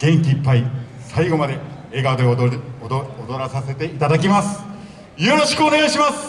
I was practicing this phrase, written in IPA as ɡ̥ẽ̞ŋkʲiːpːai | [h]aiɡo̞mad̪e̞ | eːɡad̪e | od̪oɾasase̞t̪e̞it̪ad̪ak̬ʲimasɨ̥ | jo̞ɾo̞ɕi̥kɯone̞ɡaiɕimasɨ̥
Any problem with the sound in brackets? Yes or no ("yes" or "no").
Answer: yes